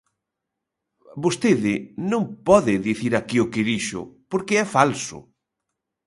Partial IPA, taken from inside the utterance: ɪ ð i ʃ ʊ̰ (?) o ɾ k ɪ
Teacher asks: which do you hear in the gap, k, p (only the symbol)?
p